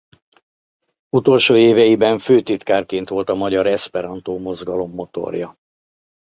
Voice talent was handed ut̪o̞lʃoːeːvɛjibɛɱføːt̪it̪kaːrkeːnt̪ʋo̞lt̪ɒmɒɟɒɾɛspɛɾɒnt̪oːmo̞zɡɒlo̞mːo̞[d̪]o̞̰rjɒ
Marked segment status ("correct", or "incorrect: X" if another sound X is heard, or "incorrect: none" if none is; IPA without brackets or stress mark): incorrect: t̪